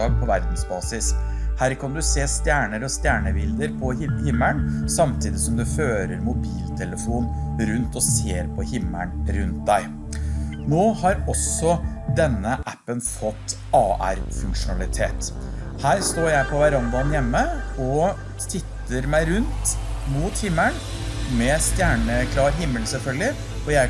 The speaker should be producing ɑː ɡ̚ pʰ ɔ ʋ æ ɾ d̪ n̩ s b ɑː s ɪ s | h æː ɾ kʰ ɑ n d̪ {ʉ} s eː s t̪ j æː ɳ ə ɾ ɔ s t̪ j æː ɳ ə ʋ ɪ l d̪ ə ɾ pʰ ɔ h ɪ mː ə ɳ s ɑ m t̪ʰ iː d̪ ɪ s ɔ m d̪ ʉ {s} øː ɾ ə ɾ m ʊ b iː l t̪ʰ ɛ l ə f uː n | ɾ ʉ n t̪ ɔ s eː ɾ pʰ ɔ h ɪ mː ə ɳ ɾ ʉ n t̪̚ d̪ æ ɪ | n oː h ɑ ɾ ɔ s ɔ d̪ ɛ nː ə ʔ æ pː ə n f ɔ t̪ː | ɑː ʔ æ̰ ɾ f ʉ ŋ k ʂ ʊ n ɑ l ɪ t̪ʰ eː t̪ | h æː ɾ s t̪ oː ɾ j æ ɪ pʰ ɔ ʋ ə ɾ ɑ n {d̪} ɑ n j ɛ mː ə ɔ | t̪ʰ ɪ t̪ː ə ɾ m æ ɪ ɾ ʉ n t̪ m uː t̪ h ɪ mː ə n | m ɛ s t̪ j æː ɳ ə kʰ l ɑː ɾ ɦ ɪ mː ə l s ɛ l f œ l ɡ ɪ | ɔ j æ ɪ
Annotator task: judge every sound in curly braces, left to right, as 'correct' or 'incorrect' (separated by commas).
correct, incorrect, correct